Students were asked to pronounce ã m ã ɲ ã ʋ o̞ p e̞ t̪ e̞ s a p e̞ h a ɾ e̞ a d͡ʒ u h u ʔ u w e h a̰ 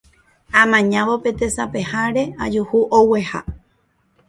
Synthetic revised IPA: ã m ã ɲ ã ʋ o̞ p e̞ t̪ e̞ s a p e̞ h a ɾ e̞ a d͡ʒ u h u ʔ o w e h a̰